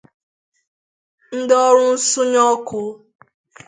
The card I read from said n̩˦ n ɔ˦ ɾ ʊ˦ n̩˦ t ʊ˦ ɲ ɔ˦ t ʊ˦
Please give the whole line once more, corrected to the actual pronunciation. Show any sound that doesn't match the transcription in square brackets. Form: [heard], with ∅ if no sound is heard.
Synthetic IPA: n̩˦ [d] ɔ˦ ɾ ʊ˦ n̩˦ [s] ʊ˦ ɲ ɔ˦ [k] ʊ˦